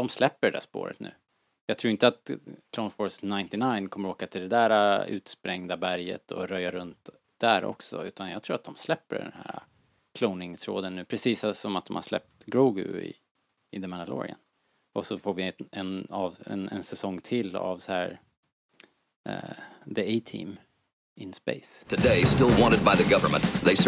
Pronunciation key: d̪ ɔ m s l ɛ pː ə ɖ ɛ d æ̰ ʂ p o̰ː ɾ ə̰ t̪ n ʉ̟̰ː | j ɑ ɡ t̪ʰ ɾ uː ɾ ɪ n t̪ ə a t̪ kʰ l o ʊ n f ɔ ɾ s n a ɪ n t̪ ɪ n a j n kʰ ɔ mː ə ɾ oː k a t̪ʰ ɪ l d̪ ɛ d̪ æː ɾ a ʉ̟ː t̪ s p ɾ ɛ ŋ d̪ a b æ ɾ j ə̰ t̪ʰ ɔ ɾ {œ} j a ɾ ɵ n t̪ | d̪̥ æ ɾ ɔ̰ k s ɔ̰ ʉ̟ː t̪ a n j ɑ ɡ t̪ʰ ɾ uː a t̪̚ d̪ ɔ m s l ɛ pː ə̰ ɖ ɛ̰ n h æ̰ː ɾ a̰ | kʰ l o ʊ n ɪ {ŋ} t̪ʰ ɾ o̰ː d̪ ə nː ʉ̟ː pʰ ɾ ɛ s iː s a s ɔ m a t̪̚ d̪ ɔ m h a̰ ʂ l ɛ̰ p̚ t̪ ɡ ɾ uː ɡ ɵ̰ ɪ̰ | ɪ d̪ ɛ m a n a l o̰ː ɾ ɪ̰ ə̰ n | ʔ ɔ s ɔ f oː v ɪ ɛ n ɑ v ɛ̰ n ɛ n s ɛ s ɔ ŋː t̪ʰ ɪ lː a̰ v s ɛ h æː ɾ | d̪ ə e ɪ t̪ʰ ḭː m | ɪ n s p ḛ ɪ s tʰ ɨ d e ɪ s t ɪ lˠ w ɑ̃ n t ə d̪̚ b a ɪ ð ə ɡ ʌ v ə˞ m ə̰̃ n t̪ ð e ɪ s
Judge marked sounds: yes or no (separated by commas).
yes, yes